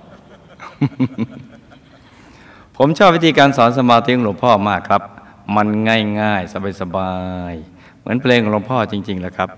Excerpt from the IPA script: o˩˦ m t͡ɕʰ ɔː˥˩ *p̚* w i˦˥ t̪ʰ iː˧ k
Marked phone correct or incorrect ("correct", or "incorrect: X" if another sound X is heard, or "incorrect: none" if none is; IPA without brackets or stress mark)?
correct